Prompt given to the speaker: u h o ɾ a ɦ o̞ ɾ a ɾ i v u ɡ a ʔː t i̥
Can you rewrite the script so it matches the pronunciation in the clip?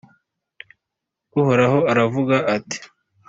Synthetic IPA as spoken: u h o ɾ a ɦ o̞ a ɾ a v u ɡ a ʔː t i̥